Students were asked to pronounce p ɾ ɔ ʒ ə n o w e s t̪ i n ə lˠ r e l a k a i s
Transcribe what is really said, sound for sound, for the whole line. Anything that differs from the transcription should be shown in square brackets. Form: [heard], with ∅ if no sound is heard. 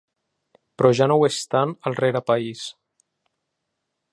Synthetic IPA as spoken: p ɾ ɔ ʒ [a] n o w e s t̪ [a] n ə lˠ r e [ɾ] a [p] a i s